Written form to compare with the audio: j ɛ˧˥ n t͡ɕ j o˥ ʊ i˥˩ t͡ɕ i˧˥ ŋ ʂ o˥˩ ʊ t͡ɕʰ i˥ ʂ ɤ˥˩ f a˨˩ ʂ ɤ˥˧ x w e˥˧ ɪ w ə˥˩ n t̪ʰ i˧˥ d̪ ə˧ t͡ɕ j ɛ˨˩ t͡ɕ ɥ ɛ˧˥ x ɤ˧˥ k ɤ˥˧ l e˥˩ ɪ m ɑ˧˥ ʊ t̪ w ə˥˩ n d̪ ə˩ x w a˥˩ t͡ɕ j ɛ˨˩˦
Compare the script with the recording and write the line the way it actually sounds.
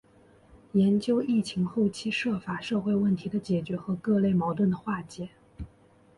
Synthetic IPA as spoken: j ɛ˧˥ n t͡ɕ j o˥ ʊ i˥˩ t͡ɕʰ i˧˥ ŋ x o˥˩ ʊ t͡ɕʰ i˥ ʂ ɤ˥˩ f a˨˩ ʂ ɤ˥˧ x w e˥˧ ɪ w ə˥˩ n t̪ʰ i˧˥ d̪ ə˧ t͡ɕ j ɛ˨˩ t͡ɕ ɥ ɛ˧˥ x ɤ˧˥ k ɤ˥˧ l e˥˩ ɪ m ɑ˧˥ ʊ t̪ w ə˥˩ n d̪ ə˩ x w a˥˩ t͡ɕ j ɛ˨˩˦